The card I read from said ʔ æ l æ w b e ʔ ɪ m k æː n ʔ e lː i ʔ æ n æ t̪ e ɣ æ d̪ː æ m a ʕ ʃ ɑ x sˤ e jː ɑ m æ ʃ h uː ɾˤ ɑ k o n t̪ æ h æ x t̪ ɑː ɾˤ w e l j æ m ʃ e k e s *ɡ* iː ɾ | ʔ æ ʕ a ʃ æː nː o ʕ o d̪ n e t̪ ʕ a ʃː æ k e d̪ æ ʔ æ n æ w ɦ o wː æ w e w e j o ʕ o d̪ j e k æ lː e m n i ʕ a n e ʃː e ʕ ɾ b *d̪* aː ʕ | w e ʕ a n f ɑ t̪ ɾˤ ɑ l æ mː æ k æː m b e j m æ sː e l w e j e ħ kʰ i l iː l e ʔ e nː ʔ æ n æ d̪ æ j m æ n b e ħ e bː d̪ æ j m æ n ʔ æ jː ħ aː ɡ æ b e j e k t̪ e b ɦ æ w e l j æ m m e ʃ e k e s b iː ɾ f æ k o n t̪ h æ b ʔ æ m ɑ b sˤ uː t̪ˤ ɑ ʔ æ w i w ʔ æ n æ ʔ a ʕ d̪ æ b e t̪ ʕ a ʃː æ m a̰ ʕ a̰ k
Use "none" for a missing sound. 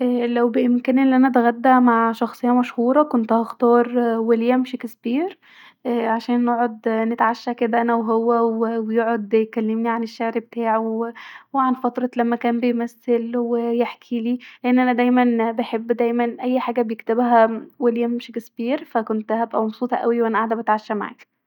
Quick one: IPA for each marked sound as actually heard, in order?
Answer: b, t̪

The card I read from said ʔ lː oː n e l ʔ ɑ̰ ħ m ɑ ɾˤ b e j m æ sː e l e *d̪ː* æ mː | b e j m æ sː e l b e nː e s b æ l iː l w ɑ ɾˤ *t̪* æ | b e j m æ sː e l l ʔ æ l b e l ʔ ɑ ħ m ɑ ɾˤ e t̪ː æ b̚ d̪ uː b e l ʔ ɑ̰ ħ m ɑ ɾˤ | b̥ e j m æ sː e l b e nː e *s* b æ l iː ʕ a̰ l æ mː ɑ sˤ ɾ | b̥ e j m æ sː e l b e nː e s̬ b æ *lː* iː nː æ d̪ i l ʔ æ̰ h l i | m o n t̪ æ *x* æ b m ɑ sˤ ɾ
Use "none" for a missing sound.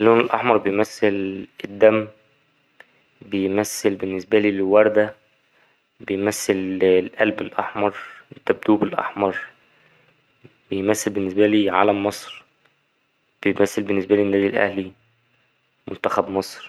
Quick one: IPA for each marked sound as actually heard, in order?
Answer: d̪ː, d̪, s, l, x

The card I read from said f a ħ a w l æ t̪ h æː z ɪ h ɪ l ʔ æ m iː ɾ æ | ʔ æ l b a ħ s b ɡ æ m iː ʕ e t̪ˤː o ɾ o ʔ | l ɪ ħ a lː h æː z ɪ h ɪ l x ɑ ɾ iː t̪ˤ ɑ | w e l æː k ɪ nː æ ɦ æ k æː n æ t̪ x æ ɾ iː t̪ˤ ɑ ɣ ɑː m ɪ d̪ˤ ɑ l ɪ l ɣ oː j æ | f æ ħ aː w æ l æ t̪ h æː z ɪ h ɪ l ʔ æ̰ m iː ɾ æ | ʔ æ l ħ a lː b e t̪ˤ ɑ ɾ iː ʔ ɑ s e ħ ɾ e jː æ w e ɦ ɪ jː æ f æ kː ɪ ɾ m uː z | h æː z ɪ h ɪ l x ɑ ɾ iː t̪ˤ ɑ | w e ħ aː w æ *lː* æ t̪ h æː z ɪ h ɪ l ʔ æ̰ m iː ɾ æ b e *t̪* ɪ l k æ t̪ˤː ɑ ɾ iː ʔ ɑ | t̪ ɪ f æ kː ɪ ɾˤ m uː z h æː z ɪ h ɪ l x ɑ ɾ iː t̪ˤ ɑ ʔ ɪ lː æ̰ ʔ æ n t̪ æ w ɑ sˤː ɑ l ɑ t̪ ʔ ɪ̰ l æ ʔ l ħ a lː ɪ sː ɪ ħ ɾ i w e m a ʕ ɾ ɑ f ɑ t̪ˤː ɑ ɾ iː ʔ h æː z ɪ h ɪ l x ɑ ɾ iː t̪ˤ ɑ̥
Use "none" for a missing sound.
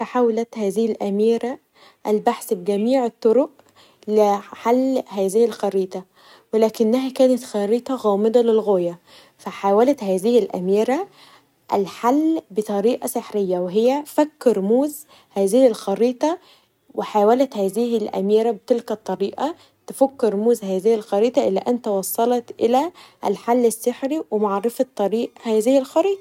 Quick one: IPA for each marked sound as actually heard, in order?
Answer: l, t̪

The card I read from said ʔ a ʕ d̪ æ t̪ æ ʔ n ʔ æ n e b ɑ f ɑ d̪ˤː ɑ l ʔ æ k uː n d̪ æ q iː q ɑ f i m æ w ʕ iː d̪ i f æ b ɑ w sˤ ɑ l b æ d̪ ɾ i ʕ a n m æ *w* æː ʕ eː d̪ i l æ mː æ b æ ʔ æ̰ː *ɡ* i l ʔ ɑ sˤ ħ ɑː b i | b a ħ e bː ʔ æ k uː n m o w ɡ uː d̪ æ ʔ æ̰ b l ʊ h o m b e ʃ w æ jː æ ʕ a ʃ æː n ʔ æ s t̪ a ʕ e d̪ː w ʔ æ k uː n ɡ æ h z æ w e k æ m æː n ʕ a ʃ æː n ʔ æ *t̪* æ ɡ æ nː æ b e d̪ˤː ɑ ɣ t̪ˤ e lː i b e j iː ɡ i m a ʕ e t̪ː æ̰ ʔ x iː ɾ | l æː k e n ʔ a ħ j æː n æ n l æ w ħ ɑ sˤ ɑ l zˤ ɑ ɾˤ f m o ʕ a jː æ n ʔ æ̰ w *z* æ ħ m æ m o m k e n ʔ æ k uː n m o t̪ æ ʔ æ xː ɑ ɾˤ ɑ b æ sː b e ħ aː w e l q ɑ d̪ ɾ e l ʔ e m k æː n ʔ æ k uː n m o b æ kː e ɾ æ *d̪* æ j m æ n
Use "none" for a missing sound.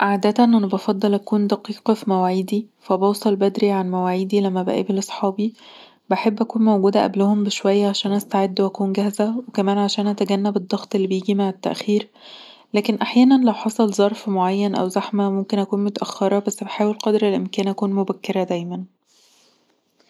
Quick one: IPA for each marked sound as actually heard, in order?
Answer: w, b, t̪, z, d̪

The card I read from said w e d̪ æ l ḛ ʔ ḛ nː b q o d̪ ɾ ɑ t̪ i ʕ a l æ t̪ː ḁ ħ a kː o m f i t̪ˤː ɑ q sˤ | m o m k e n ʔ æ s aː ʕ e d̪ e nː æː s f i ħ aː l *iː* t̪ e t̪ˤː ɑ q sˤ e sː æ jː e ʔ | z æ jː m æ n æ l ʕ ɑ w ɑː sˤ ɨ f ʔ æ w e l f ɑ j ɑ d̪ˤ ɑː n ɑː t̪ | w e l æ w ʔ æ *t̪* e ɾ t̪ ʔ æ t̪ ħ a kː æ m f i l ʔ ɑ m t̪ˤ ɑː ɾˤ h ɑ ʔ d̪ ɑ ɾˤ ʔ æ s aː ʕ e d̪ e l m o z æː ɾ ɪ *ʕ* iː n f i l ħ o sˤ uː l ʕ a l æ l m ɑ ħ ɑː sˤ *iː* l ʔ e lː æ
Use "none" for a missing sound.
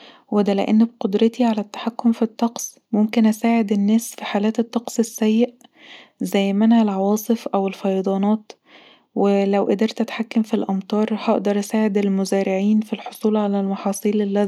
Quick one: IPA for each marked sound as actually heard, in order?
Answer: æː, d̪, ʕ, iː

